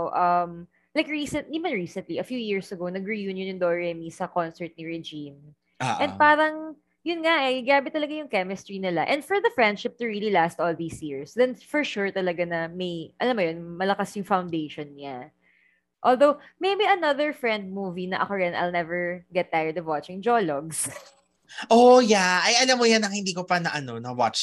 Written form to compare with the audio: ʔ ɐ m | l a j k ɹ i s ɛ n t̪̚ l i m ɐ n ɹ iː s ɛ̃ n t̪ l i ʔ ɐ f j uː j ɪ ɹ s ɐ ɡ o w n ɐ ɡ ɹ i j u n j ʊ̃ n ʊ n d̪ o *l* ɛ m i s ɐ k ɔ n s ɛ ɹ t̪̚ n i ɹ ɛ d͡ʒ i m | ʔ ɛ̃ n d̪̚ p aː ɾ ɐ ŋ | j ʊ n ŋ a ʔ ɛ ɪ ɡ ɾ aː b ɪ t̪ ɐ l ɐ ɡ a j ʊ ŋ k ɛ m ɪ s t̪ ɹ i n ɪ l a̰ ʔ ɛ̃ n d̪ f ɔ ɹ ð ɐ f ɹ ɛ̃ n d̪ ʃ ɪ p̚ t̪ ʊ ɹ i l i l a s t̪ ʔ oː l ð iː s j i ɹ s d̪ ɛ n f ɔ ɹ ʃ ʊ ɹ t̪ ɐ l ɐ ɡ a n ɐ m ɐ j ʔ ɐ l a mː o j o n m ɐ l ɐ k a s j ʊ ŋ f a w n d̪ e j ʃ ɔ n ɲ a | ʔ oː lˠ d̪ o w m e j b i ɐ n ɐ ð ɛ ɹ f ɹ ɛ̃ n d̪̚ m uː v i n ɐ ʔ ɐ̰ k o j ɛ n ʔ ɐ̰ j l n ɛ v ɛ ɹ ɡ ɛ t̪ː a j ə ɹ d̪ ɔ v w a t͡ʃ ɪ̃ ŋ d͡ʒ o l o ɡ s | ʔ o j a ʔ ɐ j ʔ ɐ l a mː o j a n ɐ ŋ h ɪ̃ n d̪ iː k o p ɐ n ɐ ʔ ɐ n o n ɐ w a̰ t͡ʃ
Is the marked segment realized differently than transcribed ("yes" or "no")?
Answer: yes